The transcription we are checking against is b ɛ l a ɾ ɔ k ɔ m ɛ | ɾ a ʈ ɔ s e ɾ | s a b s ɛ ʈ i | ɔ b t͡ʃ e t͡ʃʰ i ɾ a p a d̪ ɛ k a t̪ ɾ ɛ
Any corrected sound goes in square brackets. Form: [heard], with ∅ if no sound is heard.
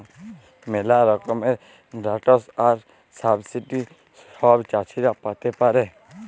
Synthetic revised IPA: [m] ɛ l a ɾ ɔ k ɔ m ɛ | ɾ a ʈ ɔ s [a] ɾ | s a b s [i] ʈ i | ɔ b t͡ʃ [a] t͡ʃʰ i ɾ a p a [t̪] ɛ [p] a [∅] ɾ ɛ